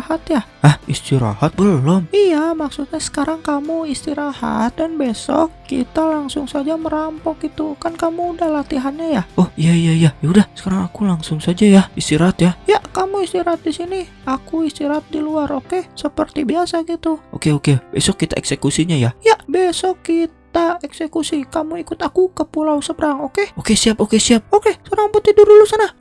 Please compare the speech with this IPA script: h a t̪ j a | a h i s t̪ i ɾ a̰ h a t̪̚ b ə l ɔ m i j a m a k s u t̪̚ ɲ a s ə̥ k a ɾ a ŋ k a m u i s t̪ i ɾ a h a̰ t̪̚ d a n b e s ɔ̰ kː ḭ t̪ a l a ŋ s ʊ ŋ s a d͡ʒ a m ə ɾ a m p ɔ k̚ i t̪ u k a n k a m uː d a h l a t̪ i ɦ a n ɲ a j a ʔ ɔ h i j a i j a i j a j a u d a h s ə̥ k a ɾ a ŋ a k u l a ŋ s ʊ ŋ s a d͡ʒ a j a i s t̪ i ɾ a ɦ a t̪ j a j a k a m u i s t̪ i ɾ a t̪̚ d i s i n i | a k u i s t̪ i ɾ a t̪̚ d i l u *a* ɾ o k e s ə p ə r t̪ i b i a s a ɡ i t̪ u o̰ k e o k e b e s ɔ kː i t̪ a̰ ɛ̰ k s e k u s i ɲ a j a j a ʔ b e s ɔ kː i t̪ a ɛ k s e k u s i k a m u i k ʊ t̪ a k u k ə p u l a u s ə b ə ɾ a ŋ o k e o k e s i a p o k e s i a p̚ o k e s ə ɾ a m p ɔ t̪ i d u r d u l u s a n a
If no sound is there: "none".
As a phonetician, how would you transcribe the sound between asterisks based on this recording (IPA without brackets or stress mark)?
a